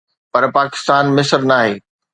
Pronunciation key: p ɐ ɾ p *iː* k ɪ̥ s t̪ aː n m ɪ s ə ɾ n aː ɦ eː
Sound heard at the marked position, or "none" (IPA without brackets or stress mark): aː